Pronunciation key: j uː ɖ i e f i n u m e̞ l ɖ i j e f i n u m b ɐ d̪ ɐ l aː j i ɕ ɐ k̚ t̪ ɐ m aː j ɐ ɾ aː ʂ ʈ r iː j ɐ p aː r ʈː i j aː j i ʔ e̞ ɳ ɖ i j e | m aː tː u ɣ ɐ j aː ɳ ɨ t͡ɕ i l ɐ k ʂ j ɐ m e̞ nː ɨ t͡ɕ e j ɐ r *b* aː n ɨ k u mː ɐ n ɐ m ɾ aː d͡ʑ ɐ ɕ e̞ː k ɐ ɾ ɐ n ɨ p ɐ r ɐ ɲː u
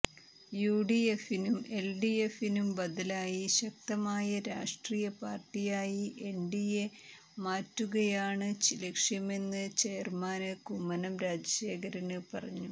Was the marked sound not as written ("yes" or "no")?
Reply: yes